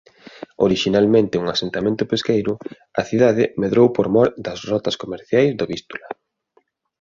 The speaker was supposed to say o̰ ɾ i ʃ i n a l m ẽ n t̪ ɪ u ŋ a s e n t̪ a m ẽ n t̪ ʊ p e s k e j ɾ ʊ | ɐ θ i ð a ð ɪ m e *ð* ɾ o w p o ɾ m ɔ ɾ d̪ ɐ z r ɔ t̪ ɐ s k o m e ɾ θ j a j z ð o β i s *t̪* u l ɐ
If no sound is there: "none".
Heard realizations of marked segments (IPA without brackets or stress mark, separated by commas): ð, t̪